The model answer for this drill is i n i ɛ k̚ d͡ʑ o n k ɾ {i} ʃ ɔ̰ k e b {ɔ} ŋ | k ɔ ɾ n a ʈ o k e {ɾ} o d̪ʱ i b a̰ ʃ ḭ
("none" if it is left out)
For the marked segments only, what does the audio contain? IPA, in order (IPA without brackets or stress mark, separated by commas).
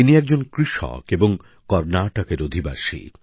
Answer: i, o, ɾ